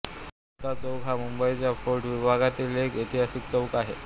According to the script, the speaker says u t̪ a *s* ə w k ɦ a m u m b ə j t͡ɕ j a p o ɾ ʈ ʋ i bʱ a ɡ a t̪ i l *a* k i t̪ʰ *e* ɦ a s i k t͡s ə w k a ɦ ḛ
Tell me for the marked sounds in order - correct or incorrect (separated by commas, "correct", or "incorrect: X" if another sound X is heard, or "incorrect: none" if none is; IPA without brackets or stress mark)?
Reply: incorrect: t͡s, incorrect: e, incorrect: i